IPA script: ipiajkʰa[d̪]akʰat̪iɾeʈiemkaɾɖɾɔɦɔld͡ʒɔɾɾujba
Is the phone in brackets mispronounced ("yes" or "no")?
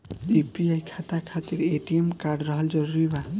yes